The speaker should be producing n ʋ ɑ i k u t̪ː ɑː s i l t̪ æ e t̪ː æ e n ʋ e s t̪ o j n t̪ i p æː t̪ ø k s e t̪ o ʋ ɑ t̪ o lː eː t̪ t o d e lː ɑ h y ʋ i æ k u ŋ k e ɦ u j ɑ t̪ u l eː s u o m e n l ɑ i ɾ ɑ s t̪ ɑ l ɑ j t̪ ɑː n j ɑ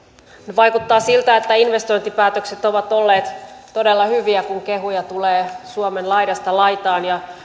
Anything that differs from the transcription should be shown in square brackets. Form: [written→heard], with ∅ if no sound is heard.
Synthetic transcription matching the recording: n ʋ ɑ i k u t̪ː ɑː s i l t̪ æ e t̪ː æ [e→i] n ʋ e s t̪ o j n t̪ i p æː t̪ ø k s e t̪ o ʋ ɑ t̪ o lː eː t̪ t o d e lː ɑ h y ʋ i æ k u ŋ k e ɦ u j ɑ t̪ u l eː s u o m e n l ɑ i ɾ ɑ s t̪ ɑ l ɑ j t̪ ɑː n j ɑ